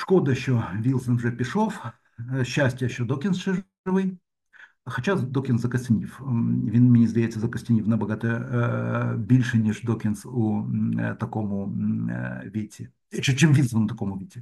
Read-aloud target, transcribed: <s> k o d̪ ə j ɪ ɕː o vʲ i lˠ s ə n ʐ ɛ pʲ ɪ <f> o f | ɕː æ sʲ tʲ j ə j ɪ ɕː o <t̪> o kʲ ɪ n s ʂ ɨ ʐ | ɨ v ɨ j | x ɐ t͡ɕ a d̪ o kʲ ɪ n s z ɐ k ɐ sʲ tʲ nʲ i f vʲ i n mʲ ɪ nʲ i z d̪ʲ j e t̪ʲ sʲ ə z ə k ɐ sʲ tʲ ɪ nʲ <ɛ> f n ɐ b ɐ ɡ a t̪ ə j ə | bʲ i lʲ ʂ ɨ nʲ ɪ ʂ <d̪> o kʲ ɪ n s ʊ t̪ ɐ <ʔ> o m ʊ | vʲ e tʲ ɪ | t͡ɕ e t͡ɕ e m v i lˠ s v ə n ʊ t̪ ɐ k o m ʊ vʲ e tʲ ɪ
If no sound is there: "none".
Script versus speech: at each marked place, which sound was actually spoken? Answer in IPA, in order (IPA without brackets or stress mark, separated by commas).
ʂ, ʂ, d̪, i, d̪, k